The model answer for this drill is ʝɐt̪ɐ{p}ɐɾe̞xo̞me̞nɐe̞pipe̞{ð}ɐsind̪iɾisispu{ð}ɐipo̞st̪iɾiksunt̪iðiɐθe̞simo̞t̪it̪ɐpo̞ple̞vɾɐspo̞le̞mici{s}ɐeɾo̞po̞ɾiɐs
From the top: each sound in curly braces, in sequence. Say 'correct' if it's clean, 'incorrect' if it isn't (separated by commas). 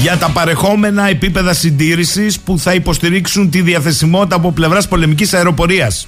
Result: correct, correct, incorrect, correct